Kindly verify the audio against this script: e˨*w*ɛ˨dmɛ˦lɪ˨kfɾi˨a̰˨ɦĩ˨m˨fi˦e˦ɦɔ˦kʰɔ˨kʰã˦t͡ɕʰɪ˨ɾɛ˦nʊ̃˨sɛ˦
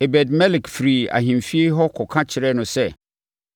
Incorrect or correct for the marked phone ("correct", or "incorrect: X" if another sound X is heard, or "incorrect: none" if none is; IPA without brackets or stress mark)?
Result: incorrect: b